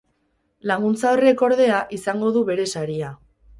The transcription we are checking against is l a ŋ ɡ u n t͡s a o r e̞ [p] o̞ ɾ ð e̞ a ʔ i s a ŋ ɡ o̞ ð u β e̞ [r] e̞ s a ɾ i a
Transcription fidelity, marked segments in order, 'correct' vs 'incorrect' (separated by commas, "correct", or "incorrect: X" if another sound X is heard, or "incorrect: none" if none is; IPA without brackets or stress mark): incorrect: k, incorrect: ɾ